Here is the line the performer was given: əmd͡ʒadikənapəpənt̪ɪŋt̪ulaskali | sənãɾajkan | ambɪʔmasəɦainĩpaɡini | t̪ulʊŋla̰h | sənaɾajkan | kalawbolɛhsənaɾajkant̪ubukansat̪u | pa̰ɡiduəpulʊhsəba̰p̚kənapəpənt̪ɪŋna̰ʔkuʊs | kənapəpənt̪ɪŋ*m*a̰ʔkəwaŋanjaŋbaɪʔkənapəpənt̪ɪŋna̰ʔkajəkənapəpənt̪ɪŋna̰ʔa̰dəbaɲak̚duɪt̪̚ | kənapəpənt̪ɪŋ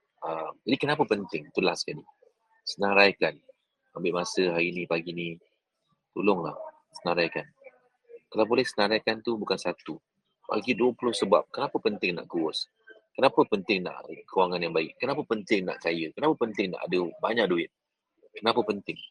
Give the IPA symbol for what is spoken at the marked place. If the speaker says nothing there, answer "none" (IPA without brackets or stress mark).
n